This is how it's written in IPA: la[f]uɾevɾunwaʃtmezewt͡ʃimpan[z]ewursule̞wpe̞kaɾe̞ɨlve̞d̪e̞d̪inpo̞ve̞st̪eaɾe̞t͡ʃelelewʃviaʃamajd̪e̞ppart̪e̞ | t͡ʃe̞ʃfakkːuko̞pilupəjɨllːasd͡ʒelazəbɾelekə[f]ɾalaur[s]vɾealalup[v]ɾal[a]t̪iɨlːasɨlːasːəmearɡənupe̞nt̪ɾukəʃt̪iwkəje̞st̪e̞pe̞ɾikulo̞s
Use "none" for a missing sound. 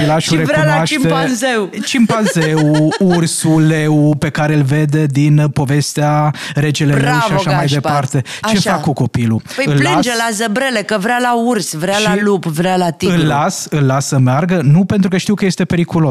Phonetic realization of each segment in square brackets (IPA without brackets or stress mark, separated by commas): ʃ, z, v, s, v, a